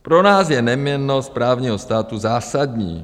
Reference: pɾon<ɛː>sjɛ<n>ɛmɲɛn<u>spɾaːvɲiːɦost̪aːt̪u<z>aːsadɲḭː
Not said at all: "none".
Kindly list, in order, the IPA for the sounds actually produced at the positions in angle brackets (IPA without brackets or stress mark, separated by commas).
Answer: aː, n, o, z